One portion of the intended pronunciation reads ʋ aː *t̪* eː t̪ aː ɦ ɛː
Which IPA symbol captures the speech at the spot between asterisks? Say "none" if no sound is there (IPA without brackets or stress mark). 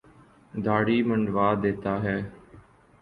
d̪